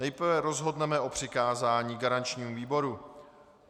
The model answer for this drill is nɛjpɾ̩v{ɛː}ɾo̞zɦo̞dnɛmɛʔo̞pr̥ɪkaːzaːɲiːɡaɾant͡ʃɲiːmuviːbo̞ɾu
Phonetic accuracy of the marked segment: incorrect: ɛ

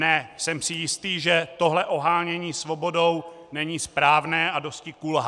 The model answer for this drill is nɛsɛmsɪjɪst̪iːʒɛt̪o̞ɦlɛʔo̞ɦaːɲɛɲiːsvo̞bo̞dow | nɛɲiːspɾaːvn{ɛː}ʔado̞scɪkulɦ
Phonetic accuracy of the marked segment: correct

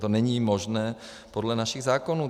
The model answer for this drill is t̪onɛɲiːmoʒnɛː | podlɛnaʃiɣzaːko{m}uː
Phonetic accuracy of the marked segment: incorrect: n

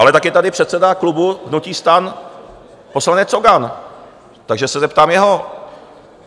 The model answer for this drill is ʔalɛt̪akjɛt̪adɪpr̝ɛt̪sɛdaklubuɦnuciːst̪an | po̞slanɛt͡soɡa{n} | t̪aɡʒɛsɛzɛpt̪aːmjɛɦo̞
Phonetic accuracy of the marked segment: correct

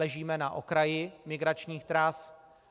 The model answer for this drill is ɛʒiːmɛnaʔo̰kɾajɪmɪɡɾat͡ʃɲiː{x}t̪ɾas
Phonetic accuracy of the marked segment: correct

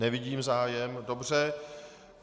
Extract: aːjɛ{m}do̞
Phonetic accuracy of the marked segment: correct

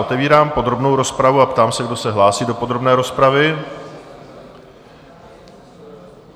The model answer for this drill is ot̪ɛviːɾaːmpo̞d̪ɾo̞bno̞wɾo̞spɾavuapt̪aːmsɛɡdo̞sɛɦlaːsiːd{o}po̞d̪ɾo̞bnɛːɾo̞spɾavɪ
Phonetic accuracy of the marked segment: correct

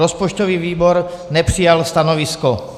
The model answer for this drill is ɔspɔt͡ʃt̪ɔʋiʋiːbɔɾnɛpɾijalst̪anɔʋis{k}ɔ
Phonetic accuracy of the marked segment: correct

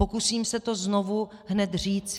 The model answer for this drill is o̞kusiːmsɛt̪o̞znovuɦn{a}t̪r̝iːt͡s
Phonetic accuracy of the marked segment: incorrect: ɛ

